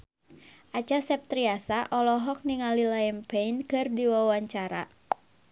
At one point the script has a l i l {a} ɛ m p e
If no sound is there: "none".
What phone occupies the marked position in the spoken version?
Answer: a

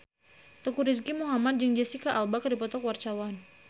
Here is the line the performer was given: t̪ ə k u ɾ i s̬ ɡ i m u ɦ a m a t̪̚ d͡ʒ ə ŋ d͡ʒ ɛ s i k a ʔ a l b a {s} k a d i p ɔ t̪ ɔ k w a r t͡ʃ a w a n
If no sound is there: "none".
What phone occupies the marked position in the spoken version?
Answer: none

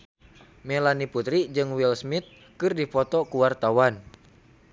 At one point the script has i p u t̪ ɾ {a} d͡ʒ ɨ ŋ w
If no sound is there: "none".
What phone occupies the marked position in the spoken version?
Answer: i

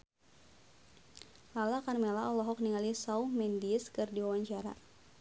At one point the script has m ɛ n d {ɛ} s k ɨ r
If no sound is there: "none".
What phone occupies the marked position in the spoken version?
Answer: i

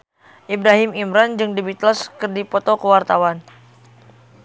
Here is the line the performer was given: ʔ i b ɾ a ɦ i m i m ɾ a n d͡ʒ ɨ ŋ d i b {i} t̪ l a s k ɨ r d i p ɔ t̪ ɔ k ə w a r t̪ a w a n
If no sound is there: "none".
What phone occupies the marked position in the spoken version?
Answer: i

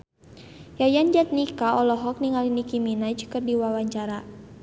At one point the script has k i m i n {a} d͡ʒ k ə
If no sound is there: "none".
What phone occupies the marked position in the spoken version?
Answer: a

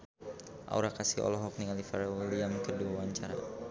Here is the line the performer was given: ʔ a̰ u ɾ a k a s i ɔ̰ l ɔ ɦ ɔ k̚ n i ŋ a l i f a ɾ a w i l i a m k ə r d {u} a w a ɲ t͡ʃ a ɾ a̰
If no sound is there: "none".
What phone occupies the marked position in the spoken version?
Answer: u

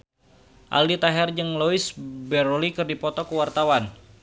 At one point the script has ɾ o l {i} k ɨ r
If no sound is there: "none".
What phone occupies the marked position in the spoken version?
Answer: i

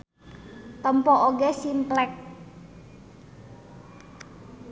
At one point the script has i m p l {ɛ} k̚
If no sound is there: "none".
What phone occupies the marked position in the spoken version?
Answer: ɛ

